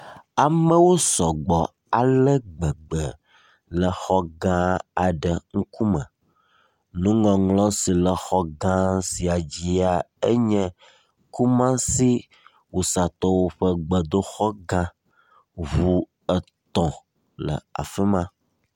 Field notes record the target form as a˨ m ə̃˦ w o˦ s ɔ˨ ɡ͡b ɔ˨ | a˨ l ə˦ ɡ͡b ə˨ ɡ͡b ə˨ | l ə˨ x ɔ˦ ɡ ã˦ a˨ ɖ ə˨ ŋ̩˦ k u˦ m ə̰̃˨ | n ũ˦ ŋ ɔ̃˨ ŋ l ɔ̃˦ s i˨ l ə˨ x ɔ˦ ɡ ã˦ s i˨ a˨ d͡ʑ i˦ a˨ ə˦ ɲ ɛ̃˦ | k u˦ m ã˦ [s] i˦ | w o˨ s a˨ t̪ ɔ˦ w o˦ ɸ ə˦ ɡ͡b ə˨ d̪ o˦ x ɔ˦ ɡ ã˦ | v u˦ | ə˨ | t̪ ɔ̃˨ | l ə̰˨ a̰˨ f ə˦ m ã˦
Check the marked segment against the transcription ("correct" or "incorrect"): correct